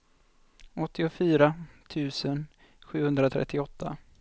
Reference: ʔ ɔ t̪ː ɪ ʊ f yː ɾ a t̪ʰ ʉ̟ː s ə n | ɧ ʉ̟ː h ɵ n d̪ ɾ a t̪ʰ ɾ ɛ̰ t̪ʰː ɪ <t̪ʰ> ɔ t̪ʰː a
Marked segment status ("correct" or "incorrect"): incorrect